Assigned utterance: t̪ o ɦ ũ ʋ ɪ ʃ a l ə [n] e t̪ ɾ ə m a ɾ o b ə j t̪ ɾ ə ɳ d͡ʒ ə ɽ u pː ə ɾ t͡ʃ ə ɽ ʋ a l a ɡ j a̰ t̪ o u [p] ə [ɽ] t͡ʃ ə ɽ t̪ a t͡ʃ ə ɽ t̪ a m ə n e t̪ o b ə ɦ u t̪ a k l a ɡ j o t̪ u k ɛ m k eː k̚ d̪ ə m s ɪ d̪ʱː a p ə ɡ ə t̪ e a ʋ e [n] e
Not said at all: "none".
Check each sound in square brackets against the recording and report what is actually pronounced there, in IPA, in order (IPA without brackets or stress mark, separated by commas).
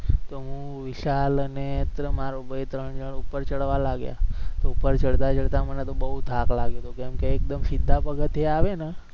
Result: n, p, ɾ, n